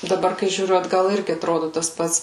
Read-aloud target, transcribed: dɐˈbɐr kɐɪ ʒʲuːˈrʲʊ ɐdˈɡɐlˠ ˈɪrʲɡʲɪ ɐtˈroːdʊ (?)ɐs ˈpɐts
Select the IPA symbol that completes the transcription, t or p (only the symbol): t